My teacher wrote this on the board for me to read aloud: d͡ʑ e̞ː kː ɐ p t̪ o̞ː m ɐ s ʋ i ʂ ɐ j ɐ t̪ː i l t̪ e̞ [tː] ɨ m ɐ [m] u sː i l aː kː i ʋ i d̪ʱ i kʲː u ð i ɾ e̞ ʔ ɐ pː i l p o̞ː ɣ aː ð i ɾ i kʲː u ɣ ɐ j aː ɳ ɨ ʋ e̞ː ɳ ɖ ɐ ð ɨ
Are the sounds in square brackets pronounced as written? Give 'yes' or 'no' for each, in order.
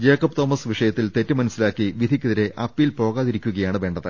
yes, no

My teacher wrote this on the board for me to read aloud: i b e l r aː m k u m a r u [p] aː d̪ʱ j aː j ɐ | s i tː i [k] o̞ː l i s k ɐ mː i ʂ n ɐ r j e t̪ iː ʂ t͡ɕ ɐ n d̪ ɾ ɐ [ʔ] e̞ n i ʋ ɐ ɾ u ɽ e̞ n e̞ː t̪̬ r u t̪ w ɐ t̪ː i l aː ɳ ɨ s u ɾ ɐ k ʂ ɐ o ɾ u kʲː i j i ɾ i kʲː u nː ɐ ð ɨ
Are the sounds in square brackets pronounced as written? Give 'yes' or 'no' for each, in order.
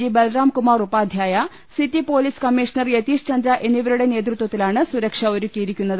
yes, no, yes

